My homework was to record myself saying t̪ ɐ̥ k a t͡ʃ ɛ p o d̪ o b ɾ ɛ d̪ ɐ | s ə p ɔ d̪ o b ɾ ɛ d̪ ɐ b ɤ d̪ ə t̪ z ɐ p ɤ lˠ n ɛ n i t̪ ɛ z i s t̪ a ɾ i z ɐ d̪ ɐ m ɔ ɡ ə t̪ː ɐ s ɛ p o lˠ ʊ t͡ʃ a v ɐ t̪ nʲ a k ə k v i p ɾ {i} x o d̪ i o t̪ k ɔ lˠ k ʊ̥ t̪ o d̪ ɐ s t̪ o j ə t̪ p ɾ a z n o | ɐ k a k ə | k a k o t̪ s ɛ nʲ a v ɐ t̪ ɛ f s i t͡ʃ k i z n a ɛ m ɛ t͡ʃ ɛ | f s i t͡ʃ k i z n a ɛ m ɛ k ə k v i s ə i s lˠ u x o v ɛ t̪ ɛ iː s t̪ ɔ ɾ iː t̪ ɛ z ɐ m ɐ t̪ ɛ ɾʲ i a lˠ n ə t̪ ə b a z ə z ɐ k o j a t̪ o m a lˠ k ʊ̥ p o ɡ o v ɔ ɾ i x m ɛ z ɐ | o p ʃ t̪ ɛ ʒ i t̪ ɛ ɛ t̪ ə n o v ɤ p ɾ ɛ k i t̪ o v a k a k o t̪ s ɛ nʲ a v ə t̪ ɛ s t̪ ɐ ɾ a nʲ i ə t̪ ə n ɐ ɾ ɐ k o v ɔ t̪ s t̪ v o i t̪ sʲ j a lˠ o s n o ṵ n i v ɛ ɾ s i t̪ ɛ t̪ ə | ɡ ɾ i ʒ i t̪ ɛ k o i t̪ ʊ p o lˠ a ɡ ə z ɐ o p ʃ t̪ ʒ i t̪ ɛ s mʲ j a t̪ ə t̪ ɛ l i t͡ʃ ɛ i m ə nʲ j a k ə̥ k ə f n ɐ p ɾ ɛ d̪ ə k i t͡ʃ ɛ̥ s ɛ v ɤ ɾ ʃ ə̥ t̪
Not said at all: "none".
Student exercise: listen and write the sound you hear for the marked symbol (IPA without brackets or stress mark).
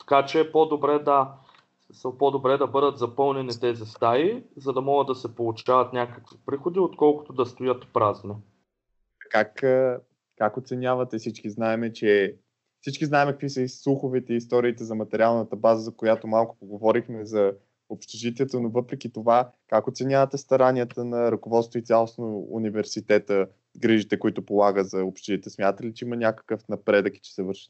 i